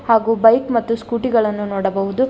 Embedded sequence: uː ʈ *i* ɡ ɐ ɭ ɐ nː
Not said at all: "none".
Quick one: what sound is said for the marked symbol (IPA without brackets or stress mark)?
i